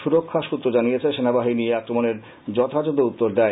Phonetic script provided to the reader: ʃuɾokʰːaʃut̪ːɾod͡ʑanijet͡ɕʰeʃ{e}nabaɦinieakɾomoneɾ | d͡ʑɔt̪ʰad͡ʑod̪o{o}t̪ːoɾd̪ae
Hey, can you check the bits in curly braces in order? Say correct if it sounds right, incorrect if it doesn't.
correct, incorrect: u

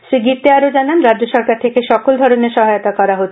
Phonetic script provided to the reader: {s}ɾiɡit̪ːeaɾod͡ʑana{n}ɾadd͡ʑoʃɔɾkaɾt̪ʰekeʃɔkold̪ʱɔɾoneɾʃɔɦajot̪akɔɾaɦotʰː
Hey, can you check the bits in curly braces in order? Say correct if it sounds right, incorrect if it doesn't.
incorrect: ʃ, correct

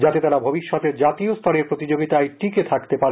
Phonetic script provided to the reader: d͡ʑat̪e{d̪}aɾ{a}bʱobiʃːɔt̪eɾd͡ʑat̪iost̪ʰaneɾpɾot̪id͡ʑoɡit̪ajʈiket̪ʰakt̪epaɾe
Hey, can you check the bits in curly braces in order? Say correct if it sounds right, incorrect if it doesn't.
incorrect: t̪, correct

